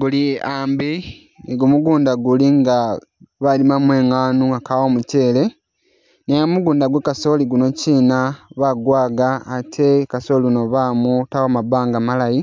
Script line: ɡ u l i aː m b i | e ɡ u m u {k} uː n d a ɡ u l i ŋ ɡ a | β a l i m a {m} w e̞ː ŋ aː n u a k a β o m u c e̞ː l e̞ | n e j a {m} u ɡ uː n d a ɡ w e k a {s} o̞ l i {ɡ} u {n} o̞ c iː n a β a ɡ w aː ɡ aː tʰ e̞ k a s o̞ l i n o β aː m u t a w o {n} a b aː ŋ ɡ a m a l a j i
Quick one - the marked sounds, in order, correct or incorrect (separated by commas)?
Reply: incorrect, correct, correct, correct, correct, correct, incorrect